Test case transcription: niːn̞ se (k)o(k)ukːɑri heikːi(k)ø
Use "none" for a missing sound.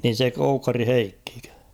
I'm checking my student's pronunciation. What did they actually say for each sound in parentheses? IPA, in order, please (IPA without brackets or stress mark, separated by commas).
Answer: k, none, k